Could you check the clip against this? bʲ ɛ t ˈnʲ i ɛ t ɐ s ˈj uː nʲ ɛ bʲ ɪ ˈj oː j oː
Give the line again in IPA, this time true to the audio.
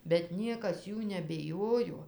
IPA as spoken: bʲ ɛ t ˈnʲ i ɛ k ɐ s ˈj uː nʲ ɛ bʲ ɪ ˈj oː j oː